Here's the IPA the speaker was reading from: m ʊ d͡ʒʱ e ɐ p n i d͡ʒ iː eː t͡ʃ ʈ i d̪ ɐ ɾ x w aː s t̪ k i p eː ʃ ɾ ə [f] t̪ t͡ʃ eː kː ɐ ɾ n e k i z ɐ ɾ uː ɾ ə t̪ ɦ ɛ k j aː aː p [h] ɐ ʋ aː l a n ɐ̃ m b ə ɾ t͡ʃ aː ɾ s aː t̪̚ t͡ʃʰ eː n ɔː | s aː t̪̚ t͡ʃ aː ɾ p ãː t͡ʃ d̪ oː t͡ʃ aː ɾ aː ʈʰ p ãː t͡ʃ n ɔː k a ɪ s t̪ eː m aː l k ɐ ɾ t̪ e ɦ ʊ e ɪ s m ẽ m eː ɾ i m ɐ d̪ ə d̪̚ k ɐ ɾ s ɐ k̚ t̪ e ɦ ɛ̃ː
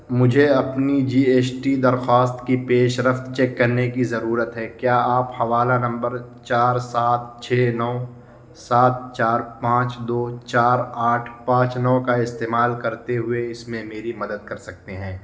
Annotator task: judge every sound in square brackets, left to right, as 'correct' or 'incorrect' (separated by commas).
correct, correct